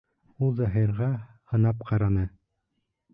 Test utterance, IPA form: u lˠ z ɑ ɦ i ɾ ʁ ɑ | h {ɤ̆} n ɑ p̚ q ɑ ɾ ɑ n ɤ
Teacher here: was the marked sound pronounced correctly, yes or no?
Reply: yes